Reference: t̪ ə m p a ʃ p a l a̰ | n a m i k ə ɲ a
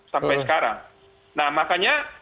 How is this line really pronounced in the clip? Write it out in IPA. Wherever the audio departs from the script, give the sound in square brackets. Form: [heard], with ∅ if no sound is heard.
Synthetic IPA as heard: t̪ [a] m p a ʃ [k] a [ɾ] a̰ | n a m [a] k [a] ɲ a

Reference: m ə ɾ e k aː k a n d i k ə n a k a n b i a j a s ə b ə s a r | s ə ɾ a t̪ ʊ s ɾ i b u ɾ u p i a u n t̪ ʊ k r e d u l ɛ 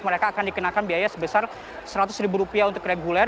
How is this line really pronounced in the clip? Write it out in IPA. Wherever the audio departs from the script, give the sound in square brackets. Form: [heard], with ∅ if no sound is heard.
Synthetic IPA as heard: m ə ɾ e k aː k a n d i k ə n a k a n b i a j a s ə b ə s a r | s ə ɾ a t̪ ʊ s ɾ i b u ɾ u p i a u n t̪ ʊ k r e [ɡ] u l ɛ

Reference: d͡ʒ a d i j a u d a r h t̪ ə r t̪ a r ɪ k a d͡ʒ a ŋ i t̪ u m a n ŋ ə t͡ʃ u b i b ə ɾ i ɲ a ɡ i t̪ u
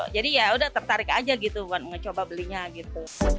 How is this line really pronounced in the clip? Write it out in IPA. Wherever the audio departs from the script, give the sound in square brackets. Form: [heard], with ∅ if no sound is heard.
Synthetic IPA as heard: d͡ʒ a d i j a u d a [∅] h t̪ ə r t̪ a [ɾ] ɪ k a d͡ʒ a [ɡ] i t̪ u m a n ŋ ə t͡ʃ [o] b [a] b ə [l] i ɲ a ɡ i t̪ u

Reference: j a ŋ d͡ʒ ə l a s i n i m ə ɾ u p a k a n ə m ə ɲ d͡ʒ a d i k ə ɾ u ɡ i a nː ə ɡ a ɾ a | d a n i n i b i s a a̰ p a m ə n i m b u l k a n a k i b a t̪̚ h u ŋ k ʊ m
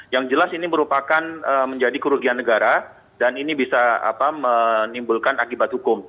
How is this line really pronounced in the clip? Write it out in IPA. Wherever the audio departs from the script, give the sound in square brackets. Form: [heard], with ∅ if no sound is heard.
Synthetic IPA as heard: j a ŋ d͡ʒ ə l a s i n i m ə ɾ u p a k a n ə m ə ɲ d͡ʒ a d i k ə ɾ u ɡ i a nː ə ɡ a ɾ a | d a n i n i b i s a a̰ p a m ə n i m b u l k a n a k i b a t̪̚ h u [∅] k ʊ m

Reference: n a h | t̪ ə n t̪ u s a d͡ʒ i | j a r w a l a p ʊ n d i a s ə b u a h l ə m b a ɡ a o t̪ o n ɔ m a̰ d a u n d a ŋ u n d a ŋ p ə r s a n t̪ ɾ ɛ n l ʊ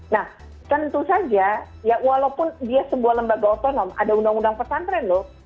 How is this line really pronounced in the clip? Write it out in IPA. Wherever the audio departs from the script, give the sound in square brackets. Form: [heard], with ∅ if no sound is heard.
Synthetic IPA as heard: n a h | t̪ ə n t̪ u s a d͡ʒ [a] | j a [∅] w a l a p ʊ n d i a s ə b u a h l ə m b a ɡ a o t̪ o n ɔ m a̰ d a u n d a ŋ u n d a ŋ p ə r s a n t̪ ɾ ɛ n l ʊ

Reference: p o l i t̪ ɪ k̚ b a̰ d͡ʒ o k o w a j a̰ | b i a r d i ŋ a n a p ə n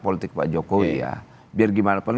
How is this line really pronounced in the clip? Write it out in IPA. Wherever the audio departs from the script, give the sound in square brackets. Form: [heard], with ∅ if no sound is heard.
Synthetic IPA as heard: p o l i t̪ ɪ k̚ [p] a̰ d͡ʒ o k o w [i] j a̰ | b i a r [ɡ] i [m] a n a p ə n

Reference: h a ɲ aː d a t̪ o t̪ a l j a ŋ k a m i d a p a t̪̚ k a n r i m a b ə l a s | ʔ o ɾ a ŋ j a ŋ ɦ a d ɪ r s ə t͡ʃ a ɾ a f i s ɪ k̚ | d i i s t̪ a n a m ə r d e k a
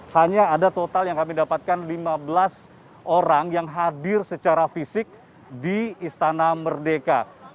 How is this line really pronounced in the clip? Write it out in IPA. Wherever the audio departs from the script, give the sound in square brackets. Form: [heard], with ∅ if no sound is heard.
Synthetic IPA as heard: h a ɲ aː d a t̪ o t̪ a l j a ŋ k a m i d a p a t̪̚ k a n [l] i m a b ə l a s | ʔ o ɾ a ŋ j a ŋ ɦ a d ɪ r s ə t͡ʃ a ɾ a f i s ɪ k̚ | d i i s t̪ a n a m ə r d e k a

